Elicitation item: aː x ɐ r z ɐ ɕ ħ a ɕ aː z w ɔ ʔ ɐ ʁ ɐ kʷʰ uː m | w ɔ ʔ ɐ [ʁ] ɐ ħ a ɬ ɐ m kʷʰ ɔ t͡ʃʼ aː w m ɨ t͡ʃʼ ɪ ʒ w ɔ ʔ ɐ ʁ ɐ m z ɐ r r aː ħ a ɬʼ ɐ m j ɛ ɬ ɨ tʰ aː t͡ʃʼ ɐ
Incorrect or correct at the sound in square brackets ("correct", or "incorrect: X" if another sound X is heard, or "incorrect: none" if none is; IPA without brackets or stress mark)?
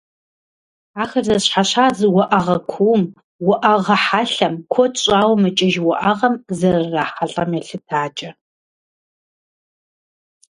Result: correct